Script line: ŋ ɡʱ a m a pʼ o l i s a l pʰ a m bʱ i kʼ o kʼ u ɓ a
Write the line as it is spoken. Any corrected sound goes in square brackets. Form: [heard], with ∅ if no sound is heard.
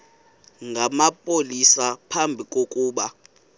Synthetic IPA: ŋ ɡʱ a m a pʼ o l i s a [∅] pʰ a m bʱ i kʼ o kʼ [uː] ɓ a